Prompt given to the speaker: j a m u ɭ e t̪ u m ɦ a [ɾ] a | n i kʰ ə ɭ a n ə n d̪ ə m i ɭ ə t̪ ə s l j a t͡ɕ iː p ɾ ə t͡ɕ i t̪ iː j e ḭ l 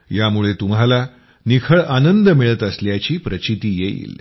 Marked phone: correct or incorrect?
incorrect